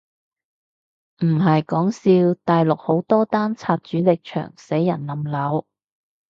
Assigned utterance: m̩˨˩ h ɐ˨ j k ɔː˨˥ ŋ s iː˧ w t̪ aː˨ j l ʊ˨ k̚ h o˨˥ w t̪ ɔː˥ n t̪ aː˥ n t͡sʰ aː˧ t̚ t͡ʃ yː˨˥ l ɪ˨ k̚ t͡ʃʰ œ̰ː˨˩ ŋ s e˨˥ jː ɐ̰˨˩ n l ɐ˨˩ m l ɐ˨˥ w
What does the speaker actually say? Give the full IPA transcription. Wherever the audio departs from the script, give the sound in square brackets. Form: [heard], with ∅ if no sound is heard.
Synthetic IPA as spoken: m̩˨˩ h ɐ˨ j k ɔː˨˥ ŋ s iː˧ w t̪ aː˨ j l ʊ˨ k̚ h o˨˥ w t̪ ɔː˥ [∅] t̪ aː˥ n t͡sʰ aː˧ t̚ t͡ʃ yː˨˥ l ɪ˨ k̚ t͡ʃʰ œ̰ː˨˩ ŋ s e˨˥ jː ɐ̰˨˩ n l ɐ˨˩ m l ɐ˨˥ w